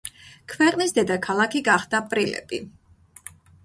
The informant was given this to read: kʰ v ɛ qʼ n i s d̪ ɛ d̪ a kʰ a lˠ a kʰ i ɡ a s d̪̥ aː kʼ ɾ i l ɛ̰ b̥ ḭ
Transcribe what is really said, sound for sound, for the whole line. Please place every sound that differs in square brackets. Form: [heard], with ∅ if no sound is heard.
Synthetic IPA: kʰ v ɛ qʼ n i s d̪ ɛ d̪ a kʰ a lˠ a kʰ i ɡ a [χ] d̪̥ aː [pʼ] ɾ i l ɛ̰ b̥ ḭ